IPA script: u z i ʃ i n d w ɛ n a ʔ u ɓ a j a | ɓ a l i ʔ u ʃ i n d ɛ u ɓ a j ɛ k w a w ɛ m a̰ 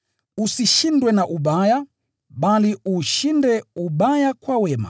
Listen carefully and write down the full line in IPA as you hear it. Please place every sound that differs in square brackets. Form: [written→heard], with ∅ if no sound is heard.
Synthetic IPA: u [z→s] i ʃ i n d w ɛ n a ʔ u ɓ a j a | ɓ a l i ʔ u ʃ i n d ɛ u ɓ a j [ɛ→a] k w a w ɛ m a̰